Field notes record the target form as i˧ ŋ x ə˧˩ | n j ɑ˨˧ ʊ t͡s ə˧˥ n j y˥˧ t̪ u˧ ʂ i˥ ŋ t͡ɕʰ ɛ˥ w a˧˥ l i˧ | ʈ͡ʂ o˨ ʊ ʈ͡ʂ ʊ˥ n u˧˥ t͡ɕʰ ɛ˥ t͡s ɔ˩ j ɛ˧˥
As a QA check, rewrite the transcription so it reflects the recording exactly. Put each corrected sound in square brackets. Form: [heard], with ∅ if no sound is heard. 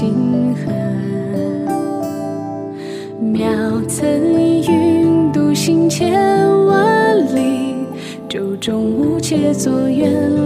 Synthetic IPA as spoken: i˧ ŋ x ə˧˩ | [m] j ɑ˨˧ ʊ [t͡sʰ] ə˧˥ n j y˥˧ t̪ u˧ [ɕ] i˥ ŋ t͡ɕʰ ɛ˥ w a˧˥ l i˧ | ʈ͡ʂ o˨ ʊ ʈ͡ʂ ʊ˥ [ŋ] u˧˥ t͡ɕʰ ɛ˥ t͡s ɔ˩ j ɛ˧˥